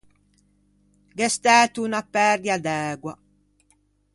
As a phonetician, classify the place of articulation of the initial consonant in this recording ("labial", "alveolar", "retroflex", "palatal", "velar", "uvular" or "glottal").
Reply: velar